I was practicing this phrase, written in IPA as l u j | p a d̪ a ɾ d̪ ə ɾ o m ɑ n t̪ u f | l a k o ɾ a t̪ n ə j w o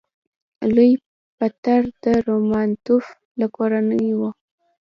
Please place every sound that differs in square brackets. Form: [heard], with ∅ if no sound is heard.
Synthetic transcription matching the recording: l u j | p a [t̪] a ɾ d̪ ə ɾ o m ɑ n t̪ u f | l a k o ɾ a [∅] n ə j w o